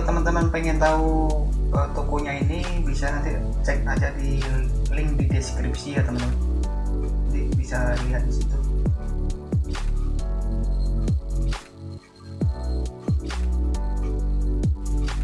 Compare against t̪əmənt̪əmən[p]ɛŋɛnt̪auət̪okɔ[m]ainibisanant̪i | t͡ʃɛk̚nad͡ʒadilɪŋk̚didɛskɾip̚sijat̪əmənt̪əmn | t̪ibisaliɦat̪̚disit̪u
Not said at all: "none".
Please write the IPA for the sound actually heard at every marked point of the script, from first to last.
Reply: p, ɲ

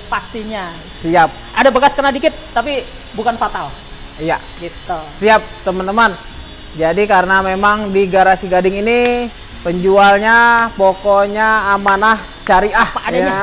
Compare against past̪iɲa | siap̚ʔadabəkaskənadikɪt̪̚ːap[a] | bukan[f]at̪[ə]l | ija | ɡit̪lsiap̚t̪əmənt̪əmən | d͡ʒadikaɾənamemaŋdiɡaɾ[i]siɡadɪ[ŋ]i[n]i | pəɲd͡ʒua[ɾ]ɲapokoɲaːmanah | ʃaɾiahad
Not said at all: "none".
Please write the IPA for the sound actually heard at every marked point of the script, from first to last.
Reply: i, f, a, a, ŋ, n, l

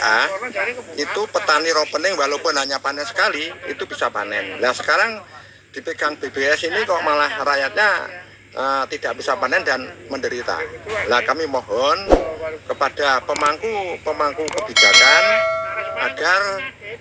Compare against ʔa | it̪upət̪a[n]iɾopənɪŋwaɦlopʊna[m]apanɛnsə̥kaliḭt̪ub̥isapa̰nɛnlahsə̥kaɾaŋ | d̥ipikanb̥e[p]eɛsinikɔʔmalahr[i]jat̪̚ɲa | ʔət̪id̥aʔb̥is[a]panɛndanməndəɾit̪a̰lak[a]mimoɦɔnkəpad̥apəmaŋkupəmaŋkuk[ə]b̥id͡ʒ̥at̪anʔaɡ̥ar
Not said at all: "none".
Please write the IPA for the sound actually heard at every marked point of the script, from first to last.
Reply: n, ɲ, b, a, a, a, ə

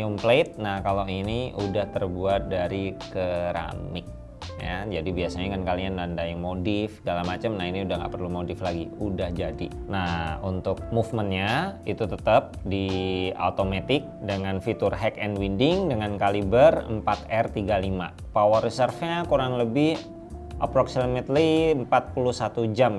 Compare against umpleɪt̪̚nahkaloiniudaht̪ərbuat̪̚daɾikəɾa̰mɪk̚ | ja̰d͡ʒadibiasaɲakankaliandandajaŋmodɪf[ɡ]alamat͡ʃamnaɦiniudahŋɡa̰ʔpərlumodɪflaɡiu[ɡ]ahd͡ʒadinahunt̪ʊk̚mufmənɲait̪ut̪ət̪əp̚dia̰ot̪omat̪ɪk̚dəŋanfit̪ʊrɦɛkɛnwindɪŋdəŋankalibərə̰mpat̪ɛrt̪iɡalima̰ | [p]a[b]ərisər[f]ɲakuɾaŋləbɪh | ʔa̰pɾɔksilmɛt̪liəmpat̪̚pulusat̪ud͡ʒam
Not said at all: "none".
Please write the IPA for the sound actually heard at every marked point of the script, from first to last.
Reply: ɡ, d, p, w, f

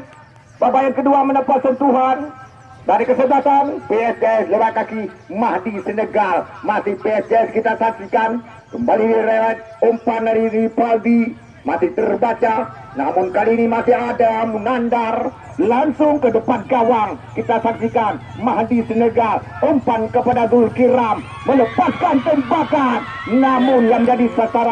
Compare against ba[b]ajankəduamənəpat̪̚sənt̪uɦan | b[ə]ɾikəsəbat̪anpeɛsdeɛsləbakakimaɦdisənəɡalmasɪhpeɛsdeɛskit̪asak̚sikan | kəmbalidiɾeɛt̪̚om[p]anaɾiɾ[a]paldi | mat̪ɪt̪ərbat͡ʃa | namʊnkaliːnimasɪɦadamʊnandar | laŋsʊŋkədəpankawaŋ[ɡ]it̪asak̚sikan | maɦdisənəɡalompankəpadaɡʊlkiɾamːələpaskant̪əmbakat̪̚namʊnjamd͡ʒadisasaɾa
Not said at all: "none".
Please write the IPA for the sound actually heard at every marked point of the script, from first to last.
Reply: b, a, p, i, k

